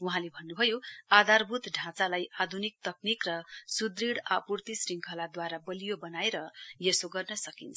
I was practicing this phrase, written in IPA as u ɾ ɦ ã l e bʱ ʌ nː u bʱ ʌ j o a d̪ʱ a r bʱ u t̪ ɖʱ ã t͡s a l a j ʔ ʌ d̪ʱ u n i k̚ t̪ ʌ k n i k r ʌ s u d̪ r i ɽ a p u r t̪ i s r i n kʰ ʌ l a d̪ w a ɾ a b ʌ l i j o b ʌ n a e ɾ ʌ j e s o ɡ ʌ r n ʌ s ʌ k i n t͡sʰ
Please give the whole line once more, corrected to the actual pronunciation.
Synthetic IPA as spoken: u ɦ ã l e bʱ ʌ nː u bʱ ʌ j o a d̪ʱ a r bʱ u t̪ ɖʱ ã t͡s a l a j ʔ a d̪ʱ u n i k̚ t̪ ʌ k n i k r ʌ s u d̪ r i ɽ a p u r t̪ i s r i ŋ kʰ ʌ l a d̪ w a ɾ a b ʌ l i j o b ʌ n a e ɾ ʌ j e s o ɡ ʌ r n ʌ s ʌ k i n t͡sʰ

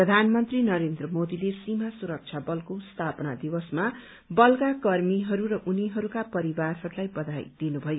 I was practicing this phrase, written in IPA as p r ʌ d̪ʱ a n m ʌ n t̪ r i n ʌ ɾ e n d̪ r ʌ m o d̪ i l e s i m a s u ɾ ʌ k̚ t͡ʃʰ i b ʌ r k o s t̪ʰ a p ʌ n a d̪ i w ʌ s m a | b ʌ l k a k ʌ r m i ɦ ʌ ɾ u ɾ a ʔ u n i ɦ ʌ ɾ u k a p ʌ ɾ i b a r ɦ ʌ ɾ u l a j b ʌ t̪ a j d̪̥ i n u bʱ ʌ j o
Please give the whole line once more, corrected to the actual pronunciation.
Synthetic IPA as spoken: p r ʌ d̪ʱ a n m ʌ n t̪ r i n ʌ ɾ e n d̪ r ʌ m o d̪ i l e s i m a s u ɾ ʌ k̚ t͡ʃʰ a b ʌ l k o s t̪ʰ a p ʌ n a d̪ i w ʌ s m a | b ʌ l k a k ʌ r m i ɦ ʌ ɾ u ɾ ʌ ʔ u n i ɦ ʌ ɾ u k a p ʌ ɾ i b a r ɦ ʌ ɾ u l a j b ʌ d̪ a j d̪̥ i n u bʱ ʌ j o

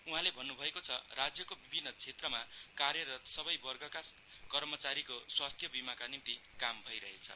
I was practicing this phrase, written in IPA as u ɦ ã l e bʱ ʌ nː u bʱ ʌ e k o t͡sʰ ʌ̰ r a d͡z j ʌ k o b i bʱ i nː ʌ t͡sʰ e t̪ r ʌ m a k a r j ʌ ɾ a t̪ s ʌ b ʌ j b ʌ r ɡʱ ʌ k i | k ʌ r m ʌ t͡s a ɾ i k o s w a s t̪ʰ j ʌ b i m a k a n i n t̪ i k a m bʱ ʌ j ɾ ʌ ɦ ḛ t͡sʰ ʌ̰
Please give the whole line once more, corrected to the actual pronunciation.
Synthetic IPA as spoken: u ɦ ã l e bʱ ʌ nː u bʱ ʌ e k o t͡sʰ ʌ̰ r a d͡z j ʌ k o b i bʱ i nː ʌ t͡sʰ e t̪ r ʌ m a k a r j ʌ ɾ ʌ t̪ s ʌ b ʌ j b ʌ r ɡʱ ʌ k a | k ʌ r m ʌ t͡s a ɾ i k o s w a s t̪ʰ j ʌ b i m a k a n i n t̪ i k a m bʱ ʌ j ɾ ʌ ɦ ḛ t͡sʰ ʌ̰

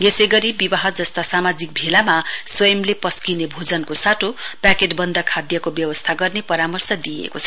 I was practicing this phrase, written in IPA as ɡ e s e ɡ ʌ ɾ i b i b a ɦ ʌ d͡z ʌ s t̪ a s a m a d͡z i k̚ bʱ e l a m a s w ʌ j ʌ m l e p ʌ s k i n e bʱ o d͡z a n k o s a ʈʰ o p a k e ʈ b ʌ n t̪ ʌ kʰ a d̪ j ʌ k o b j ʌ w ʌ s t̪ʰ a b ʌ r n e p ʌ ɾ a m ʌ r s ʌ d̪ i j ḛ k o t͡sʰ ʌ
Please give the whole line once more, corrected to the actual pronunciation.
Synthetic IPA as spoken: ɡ e s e ɡ ʌ ɾ i b i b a ɦ ʌ d͡z ʌ s t̪ a s a m a d͡z i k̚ bʱ e l a m a s w ʌ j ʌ m l e p ʌ s k i n e bʱ o d͡z ʌ n k o s a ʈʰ o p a k e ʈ b ʌ n d̪ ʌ kʰ a d̪ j ʌ k o b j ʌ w ʌ s t̪ʰ a ɡ ʌ r n e p ʌ ɾ a m ʌ r s ʌ d̪ i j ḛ k o t͡sʰ ʌ

